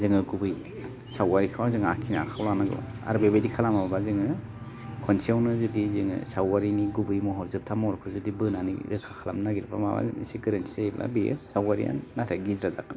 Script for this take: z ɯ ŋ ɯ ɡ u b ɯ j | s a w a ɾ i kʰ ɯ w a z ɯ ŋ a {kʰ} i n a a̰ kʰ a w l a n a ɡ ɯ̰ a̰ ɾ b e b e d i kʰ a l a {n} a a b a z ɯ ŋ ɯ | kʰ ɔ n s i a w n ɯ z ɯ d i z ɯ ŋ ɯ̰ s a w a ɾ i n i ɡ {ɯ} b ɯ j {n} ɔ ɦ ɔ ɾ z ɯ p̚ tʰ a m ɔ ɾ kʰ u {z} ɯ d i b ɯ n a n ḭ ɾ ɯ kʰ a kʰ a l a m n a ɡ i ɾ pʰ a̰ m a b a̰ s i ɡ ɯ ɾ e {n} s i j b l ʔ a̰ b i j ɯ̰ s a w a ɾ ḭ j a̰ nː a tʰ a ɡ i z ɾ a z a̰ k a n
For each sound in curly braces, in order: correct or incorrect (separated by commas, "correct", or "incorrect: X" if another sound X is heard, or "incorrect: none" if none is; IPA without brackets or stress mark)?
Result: correct, incorrect: m, incorrect: u, incorrect: m, correct, correct